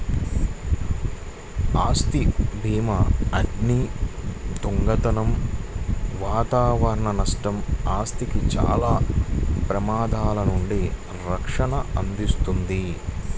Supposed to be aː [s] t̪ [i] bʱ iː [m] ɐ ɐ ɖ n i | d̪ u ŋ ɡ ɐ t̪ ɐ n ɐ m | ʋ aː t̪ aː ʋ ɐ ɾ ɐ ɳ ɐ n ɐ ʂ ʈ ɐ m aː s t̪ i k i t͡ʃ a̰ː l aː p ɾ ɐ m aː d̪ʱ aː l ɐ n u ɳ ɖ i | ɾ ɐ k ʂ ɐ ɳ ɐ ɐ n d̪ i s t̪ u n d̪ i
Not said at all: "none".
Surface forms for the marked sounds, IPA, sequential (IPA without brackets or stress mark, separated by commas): s, i, m